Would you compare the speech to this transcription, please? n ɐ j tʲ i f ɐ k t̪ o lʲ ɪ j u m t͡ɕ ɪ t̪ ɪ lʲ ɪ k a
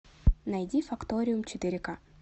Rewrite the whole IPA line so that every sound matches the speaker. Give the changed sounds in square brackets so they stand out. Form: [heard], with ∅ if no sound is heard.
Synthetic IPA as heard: n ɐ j [dʲ] i f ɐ k t̪ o [ɾʲ] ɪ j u m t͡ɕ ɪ t̪ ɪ [ɾʲ] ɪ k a